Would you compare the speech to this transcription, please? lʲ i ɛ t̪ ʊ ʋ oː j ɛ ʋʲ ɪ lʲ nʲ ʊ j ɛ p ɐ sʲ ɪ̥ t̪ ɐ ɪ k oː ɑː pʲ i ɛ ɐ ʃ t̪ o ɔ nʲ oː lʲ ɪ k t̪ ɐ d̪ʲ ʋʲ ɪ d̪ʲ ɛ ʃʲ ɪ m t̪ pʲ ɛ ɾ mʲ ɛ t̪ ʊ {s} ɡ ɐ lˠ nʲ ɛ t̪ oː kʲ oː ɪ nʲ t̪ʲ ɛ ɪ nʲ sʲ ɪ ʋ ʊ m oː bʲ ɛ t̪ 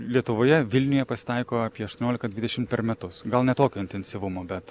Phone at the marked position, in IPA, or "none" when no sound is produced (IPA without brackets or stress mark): s